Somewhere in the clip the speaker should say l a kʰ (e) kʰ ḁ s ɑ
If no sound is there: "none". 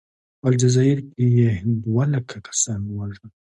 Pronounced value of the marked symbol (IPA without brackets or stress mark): a